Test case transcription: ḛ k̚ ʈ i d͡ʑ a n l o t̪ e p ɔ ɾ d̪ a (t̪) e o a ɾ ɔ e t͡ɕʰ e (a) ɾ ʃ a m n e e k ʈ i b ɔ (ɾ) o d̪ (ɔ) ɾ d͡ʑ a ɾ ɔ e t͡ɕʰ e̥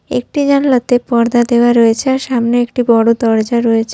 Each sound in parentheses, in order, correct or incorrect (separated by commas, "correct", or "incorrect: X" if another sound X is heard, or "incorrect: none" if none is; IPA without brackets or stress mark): incorrect: d̪, correct, incorrect: ɽ, correct